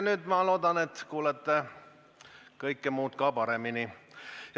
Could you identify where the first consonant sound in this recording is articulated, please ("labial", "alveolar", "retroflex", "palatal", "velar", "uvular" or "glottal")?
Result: alveolar